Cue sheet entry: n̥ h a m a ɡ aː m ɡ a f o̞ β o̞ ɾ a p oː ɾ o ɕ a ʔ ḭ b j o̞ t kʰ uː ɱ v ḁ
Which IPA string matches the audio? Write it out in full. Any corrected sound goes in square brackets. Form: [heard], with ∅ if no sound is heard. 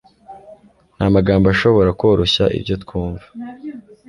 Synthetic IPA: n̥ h a m a ɡ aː m [b] a [ʃ] o̞ β o̞ ɾ a [k] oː ɾ o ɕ a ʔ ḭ b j o̞ t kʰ uː ɱ v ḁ